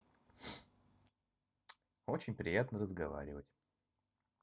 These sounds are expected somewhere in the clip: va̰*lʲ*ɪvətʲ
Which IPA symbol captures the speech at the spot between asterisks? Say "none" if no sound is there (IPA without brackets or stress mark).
ɾʲ